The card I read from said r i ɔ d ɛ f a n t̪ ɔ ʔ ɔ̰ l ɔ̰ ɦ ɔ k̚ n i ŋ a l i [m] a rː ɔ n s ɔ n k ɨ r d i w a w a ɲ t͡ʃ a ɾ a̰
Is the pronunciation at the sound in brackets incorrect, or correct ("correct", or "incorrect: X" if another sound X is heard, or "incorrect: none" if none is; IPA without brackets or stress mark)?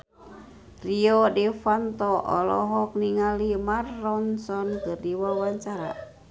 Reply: correct